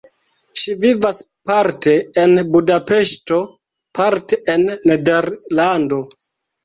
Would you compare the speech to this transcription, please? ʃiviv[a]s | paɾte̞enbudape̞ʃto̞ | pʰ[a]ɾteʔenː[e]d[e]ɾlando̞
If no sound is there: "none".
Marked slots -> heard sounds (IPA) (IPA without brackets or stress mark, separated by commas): a, a, e, e